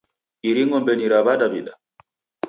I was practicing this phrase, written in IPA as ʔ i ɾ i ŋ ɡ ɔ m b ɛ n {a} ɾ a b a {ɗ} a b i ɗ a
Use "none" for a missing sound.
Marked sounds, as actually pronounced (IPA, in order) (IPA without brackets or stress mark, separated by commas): i, d